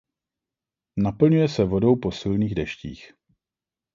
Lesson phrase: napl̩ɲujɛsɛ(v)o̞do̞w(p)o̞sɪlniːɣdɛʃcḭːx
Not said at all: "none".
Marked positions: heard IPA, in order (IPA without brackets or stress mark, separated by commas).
v, p